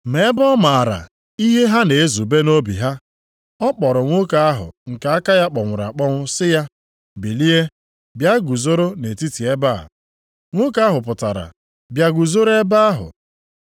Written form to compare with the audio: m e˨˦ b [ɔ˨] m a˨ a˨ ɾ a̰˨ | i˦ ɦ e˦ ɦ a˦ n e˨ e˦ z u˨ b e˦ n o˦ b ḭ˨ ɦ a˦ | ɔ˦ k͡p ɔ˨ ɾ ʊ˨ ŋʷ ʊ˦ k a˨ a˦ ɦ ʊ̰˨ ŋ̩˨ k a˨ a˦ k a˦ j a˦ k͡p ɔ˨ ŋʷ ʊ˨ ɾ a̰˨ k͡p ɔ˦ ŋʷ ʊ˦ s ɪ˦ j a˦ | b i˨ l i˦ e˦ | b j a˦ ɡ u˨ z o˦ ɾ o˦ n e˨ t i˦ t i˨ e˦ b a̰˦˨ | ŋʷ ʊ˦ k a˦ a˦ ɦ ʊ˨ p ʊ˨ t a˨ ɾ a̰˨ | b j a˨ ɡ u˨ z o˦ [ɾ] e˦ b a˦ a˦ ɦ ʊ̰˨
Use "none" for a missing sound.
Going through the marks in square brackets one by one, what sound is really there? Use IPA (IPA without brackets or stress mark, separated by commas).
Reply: ɔ˦, ɾ